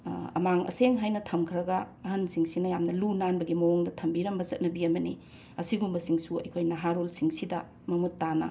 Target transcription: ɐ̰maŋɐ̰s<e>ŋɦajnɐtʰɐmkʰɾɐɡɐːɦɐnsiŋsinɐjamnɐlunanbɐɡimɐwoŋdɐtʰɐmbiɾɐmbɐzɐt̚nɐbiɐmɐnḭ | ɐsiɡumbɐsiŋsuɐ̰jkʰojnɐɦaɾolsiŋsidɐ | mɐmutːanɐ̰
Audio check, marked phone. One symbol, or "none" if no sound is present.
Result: e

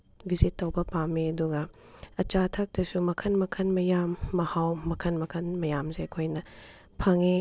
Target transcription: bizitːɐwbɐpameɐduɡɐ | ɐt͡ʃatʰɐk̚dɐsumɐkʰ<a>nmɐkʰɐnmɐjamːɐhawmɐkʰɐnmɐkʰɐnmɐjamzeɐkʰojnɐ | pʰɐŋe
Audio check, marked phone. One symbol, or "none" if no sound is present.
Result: ɐ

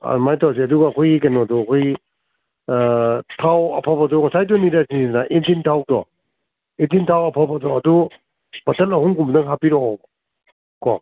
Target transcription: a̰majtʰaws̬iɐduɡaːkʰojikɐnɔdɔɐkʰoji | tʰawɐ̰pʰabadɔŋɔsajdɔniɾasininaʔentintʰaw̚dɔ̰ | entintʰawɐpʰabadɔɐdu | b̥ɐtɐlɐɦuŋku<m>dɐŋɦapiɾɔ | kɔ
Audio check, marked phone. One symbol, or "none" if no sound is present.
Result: m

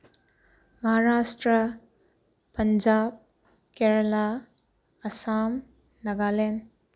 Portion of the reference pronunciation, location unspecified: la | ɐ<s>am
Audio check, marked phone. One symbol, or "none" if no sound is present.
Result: s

